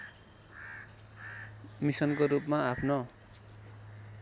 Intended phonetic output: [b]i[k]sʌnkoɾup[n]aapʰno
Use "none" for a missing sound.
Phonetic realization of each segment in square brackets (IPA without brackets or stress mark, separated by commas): m, none, m